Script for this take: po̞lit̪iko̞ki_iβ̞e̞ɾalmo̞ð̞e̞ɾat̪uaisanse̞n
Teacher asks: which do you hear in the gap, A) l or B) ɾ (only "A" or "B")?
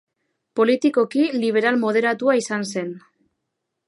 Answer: A